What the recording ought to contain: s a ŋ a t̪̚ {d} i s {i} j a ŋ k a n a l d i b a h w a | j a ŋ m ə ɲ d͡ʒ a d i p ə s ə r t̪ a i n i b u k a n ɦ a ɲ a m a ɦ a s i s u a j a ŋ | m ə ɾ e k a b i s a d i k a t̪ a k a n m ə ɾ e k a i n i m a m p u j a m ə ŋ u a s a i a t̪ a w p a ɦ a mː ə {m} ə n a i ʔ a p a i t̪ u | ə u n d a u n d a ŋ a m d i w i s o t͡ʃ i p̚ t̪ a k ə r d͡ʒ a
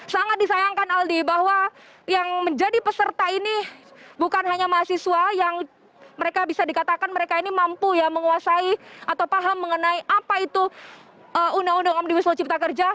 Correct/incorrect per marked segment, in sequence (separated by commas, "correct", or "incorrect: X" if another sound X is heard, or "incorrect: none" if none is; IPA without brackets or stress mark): correct, incorrect: a, incorrect: ŋ